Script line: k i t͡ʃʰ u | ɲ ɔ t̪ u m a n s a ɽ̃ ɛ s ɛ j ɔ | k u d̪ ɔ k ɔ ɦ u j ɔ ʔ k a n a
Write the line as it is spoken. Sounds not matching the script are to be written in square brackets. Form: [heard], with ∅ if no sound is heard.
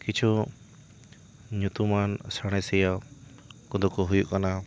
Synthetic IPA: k i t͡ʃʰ u | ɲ [u] t̪ u m a n s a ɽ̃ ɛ s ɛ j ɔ | k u d̪ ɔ k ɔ ɦ u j [u] ʔ k a n a